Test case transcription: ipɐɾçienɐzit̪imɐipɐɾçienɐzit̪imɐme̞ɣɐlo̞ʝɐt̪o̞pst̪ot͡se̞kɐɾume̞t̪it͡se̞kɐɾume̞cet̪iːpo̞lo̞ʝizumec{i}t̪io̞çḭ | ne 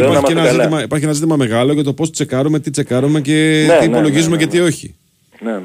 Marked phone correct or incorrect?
incorrect